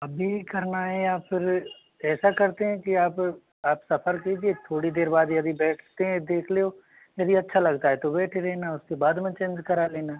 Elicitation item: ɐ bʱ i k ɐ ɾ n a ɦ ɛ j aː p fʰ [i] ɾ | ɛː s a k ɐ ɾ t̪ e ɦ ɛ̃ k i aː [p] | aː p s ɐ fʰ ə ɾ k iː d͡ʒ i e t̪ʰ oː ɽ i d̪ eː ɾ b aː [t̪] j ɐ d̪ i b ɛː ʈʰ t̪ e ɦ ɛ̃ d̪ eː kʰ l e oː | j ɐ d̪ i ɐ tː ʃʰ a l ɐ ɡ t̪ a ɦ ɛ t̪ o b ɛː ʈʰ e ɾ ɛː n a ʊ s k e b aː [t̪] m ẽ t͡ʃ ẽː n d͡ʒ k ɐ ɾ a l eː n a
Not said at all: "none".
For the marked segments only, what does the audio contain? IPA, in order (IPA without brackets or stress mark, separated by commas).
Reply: ɪ, p, d̪, d̪